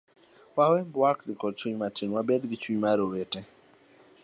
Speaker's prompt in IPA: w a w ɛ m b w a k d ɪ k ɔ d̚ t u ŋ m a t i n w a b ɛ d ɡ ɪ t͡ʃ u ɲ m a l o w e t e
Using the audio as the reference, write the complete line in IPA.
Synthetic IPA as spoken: w a w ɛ m b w a k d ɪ k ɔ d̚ t͡ʃ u ɲ m a t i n w a b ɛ d ɡ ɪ t͡ʃ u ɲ m a ɾ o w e t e